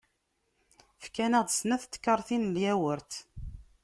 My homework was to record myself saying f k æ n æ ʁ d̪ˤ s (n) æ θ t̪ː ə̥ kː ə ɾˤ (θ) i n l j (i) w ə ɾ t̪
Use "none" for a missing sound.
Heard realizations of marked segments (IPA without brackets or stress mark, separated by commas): n, θ, æ